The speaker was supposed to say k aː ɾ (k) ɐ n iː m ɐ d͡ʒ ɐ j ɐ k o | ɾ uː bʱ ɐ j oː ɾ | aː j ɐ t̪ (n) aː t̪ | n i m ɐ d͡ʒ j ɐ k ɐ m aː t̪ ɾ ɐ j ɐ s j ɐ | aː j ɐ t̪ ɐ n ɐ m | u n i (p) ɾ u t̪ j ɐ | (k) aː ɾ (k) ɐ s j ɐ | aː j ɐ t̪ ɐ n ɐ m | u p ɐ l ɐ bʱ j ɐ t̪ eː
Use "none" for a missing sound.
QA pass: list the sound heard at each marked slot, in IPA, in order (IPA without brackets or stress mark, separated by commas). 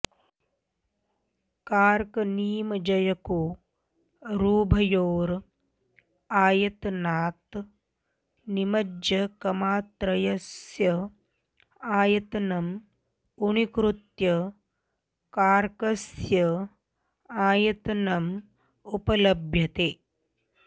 k, n, k, k, k